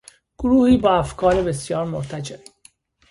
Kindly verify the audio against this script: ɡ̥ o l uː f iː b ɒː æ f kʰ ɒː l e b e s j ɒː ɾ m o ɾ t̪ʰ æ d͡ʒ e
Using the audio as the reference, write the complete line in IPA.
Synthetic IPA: ɡ̥ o ɾ uː h iː b ɒː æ f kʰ ɒː ɾ e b e s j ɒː ɾ m o ɾ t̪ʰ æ d͡ʒ e